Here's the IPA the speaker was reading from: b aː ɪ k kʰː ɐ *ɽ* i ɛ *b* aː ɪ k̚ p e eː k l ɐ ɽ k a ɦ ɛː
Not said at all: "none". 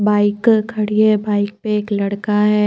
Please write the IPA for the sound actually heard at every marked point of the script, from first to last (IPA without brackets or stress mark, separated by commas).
ɽ, b